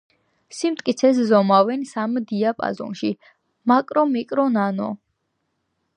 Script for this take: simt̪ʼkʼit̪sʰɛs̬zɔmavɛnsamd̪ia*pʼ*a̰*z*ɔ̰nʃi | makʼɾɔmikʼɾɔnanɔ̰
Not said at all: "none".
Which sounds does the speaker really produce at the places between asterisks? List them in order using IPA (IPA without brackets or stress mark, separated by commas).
pʼ, z